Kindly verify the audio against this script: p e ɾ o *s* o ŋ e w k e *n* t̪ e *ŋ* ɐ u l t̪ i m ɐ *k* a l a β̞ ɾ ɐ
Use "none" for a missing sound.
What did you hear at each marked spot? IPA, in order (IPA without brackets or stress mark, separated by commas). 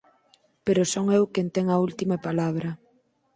s, n, ŋ, p